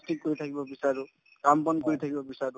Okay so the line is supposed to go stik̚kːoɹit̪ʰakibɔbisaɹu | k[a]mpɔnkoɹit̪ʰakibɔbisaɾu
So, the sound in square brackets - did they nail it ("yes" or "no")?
yes